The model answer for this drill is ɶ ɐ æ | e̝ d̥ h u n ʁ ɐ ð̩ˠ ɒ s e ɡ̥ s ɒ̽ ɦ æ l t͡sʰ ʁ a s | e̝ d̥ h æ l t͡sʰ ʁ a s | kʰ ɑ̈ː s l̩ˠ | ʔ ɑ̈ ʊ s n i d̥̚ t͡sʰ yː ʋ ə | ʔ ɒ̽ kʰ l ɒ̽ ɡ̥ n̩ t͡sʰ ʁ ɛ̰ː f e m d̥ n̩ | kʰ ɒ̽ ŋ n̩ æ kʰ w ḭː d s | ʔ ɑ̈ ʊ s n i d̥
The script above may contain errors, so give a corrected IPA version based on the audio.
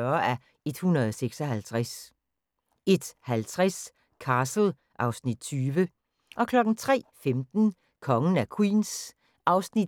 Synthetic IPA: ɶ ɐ æ | e̝ d̥ h u n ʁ ɐ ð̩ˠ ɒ s e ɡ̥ s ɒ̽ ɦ æ l t͡sʰ ʁ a s | e̝ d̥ h æ l t͡sʰ ʁ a s | kʰ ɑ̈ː s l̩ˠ | ʔ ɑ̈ ʊ s n i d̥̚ t͡sʰ yː ʋ ə | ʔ ɒ̽ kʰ l ɒ̽ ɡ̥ n̩ t͡sʰ ʁ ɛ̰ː f e m d̥ n̩ | kʰ ɒ̽ ŋ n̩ æ kʰ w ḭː n s | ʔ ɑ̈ ʊ s n i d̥